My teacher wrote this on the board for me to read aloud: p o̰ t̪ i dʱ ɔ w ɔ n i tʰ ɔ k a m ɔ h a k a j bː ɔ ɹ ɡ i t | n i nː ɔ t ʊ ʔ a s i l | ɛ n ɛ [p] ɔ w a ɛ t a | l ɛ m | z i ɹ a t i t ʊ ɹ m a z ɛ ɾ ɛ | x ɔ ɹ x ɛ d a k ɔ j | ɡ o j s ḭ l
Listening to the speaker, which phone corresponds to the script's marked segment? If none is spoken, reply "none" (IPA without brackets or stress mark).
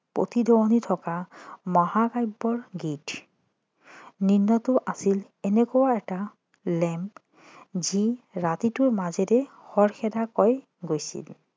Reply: k